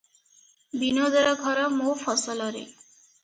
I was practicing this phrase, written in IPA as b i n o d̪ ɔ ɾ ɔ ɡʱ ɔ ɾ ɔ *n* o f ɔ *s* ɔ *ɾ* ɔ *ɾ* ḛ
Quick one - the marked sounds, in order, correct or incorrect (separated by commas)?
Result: incorrect, correct, incorrect, correct